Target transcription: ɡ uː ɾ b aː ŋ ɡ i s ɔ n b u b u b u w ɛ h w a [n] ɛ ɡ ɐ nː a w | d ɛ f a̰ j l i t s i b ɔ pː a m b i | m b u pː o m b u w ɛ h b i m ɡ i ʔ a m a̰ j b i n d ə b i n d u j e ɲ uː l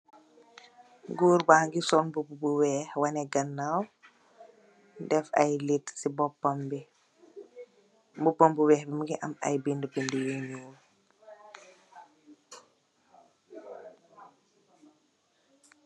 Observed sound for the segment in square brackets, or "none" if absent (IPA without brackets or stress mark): n